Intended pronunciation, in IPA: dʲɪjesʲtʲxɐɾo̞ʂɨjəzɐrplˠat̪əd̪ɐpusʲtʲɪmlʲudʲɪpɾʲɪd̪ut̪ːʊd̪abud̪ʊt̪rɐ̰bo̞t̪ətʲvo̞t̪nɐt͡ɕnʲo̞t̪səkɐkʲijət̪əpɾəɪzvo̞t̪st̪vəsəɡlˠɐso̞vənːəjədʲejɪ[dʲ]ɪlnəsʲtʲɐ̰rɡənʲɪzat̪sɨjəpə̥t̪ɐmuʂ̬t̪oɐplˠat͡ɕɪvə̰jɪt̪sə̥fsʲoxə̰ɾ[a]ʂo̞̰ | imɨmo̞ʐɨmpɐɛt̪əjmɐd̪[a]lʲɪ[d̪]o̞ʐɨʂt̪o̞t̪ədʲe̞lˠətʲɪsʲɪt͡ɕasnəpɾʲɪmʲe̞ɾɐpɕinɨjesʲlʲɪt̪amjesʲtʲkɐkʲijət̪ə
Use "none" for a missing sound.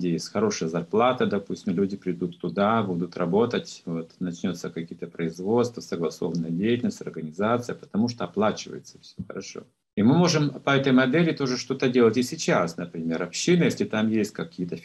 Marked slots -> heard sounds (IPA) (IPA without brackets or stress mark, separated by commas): tʲ, ɐ, ɛ, t̪